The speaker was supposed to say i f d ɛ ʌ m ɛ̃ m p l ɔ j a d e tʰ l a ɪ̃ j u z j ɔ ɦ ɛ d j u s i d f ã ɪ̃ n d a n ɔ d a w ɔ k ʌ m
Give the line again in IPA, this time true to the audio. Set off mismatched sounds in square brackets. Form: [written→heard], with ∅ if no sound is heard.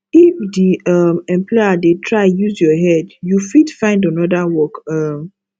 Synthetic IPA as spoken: i f d [ɛ→i] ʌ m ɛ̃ m p l ɔ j a d e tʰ [l→ɹ] a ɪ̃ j u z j ɔ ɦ ɛ d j u [s→f] i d f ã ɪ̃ n d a n ɔ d a w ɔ k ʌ m

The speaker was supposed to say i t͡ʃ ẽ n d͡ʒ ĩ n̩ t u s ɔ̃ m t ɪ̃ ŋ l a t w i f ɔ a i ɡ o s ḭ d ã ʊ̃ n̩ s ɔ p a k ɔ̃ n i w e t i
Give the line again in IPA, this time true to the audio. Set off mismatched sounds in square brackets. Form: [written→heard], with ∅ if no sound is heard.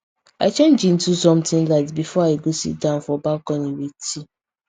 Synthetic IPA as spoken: [i→a] t͡ʃ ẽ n d͡ʒ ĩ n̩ t u s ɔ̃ m t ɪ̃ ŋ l a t [w→b] i f ɔ a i ɡ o s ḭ d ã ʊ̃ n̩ [s→f] ɔ [p→b] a k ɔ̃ n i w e t i

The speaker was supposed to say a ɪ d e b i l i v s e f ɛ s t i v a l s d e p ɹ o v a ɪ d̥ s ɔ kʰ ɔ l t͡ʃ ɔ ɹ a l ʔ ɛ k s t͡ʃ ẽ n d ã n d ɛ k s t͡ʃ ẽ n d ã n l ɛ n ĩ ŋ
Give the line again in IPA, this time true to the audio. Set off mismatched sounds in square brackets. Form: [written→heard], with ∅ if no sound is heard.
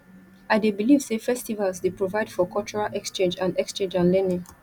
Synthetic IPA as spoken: a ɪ d e b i l i v s e f ɛ s t i v a l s d e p ɹ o v a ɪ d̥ [s→f] ɔ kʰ ɔ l t͡ʃ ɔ ɹ a l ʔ ɛ k s t͡ʃ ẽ n [d→d͡ʒ] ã n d ɛ k s t͡ʃ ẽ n [d→d͡ʒ] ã n l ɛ n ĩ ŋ

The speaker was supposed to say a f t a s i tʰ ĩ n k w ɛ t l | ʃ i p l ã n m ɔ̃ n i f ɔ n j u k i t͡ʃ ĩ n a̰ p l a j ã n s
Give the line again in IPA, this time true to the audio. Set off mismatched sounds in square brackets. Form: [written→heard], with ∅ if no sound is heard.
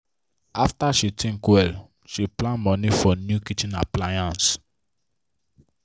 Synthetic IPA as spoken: a f t a [s→ʃ] i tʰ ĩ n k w ɛ [t→∅] l | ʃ i p l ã n m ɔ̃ n i f ɔ n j u k i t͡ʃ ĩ n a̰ p l a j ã n s

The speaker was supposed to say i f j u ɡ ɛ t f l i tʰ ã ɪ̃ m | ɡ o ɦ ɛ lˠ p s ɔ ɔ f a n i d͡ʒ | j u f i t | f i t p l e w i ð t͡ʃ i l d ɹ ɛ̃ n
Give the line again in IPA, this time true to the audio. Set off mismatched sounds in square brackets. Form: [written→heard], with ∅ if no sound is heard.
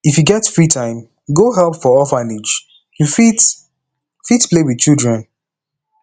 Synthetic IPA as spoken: i f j u ɡ ɛ t f [l→ɹ] i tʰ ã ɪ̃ m | ɡ o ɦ ɛ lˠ p [s→f] ɔ ɔ f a n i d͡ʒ | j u f i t | f i t p l e w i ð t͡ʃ i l d ɹ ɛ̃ n

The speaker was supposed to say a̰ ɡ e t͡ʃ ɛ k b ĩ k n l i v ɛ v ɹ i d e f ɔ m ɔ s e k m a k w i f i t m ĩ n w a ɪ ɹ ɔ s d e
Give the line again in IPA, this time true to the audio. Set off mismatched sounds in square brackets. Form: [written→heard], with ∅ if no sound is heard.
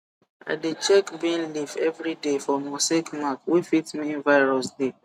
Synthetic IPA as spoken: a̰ [ɡ→d] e t͡ʃ ɛ k b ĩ [k→∅] n l i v ɛ v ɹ i d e f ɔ m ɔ s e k m a k w i f i t m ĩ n [w→v] a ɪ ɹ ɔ s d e

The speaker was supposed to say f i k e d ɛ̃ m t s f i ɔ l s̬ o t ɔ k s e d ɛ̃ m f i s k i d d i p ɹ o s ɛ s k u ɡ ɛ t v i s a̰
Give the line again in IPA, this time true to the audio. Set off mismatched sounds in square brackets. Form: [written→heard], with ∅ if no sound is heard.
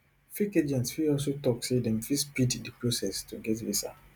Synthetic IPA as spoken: f i k e [d→d͡ʒ] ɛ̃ [m→n] t s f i ɔ l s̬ o t ɔ k s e d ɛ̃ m f i s [k→p] i d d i p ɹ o s ɛ s [k→t] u ɡ ɛ t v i s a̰

